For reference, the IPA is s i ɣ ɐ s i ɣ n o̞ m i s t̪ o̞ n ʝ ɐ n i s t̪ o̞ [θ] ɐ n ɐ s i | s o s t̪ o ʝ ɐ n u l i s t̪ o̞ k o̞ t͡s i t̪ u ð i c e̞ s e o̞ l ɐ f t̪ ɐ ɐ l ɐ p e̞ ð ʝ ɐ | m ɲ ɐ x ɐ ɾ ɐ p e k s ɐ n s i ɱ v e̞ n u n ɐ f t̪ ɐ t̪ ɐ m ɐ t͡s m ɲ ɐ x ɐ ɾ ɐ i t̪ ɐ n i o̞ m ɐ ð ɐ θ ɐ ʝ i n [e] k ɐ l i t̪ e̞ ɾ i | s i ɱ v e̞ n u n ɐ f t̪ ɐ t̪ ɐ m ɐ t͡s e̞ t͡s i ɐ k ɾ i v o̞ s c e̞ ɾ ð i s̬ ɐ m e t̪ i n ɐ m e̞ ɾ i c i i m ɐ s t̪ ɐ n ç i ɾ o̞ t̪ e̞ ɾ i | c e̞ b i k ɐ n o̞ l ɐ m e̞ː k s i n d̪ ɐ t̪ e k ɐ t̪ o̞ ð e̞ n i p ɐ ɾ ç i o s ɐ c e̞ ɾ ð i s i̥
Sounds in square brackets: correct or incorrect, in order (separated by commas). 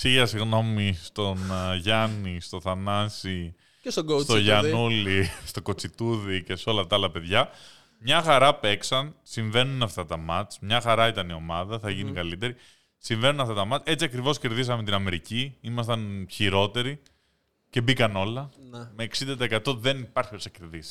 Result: correct, incorrect